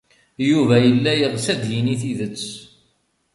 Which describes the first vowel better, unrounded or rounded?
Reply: rounded